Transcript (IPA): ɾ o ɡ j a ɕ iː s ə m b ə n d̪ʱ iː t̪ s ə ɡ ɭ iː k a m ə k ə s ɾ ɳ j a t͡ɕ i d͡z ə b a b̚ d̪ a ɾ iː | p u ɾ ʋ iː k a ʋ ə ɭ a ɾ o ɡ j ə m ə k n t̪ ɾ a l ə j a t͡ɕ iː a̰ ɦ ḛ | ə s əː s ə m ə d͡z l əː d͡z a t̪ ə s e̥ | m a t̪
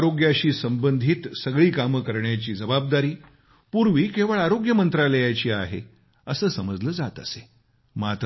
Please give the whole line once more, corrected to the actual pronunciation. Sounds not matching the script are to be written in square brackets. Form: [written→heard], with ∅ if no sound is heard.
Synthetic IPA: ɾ o ɡ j a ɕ iː s ə m b ə n d̪ʱ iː t̪ s ə ɡ ɭ iː k a m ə k ə [s→∅] ɾ ɳ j a t͡ɕ [i→iː] d͡z ə b a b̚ d̪ a ɾ iː | p u ɾ ʋ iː k [a→e] ʋ ə ɭ a ɾ o ɡ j ə m ə [k→∅] n t̪ ɾ a l ə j a t͡ɕ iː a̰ ɦ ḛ | ə s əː s ə m ə d͡z l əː d͡z a t̪ ə s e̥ | m a t̪